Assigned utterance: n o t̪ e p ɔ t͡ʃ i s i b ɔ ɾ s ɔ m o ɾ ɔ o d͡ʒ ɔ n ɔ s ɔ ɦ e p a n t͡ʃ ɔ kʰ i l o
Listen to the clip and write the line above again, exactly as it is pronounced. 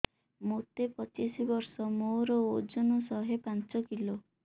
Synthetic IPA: m o t̪ e p ɔ t͡ʃ i s i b ɔ ɾ s ɔ m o ɾ ɔ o d͡ʒ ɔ n ɔ s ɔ ɦ e p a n t͡ʃ ɔ k i l o